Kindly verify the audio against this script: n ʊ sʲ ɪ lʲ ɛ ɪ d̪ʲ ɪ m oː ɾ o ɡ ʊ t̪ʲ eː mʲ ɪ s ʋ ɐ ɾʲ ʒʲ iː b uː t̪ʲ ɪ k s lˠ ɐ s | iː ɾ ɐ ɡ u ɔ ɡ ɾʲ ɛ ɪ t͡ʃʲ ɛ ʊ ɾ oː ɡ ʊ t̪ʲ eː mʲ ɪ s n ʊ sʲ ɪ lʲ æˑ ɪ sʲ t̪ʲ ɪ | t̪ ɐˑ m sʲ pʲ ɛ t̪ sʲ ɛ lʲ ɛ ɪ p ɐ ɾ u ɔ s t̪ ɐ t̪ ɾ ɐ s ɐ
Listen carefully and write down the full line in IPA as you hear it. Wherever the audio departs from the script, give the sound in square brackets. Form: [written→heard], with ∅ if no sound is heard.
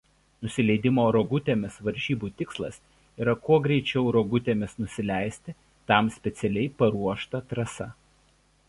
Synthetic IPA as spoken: n ʊ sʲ ɪ lʲ ɛ ɪ d̪ʲ ɪ m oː ɾ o ɡ ʊ t̪ʲ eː mʲ ɪ s ʋ ɐ ɾʲ ʒʲ iː b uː t̪ʲ ɪ k s lˠ ɐ s | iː ɾ ɐ [ɡ→k] u ɔ ɡ ɾʲ ɛ ɪ t͡ʃʲ ɛ ʊ ɾ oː ɡ ʊ t̪ʲ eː mʲ ɪ s n ʊ sʲ ɪ lʲ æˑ ɪ sʲ t̪ʲ ɪ | t̪ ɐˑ m sʲ pʲ ɛ t̪ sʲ ɛ lʲ ɛ ɪ p ɐ ɾ u ɔ [s→ʃ] t̪ ɐ t̪ ɾ ɐ s ɐ